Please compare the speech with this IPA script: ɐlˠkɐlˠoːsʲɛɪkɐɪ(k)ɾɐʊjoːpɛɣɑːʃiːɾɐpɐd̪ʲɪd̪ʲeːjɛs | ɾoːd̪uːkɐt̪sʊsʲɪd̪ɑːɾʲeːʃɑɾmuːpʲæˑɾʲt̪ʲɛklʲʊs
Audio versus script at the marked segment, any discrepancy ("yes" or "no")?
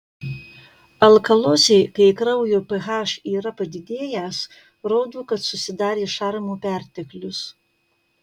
no